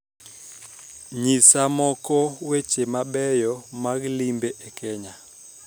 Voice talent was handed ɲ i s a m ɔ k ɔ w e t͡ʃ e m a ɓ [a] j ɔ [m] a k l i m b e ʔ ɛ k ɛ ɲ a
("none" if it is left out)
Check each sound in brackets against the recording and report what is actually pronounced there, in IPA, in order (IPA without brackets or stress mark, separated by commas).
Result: ɛ, m